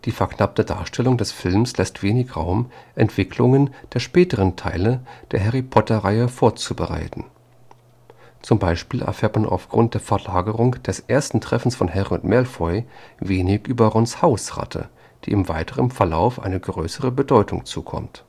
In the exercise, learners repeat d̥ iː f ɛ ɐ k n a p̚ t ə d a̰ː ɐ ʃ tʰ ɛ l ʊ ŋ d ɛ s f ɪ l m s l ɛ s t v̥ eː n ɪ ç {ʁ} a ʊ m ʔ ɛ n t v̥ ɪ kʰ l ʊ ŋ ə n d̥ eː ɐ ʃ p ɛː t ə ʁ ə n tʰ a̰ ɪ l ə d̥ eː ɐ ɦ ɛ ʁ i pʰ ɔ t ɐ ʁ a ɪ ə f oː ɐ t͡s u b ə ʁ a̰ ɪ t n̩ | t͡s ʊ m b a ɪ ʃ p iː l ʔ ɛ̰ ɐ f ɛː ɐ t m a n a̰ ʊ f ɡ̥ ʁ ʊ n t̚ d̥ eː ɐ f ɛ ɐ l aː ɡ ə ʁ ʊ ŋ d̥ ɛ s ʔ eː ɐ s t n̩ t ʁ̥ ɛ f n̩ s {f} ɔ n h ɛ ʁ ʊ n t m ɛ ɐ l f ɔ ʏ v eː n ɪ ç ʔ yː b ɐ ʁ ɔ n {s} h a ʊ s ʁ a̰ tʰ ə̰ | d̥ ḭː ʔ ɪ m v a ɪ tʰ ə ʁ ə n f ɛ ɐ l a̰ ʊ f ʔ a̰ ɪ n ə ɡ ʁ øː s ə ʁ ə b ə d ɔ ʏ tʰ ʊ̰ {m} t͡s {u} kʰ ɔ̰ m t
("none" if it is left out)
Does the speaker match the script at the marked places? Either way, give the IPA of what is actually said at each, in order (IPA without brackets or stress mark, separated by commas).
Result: ʁ, f, s, ŋ, uː